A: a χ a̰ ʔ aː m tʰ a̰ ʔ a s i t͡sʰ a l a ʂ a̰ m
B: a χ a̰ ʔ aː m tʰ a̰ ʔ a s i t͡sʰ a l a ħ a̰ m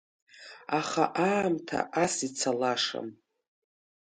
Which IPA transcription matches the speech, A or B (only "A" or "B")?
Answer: A